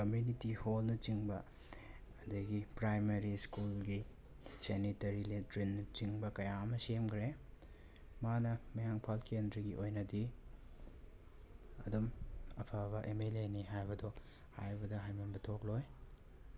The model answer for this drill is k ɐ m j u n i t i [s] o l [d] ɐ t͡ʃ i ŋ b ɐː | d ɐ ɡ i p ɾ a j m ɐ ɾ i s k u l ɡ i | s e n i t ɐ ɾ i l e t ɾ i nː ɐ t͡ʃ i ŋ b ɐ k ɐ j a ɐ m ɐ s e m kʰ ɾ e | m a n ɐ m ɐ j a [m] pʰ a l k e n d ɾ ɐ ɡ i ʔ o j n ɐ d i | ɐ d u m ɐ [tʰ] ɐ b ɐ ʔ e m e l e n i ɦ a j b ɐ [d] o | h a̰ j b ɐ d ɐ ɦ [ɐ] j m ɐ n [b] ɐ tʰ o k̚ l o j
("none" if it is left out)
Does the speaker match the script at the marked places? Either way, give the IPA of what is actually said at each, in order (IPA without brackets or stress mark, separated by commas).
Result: h, n, ŋ, pʰ, d, a, b